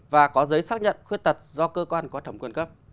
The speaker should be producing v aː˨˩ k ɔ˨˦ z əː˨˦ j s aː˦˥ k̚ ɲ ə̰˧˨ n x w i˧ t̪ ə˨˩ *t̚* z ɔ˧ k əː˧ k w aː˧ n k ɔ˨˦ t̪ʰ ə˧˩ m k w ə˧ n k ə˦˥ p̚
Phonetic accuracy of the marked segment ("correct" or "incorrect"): correct